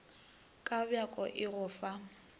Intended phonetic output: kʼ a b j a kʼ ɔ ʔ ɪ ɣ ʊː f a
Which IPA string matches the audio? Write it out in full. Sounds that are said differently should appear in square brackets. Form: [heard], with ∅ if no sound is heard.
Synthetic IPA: kʼ a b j a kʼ ɔ ʔ ɪ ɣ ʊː f a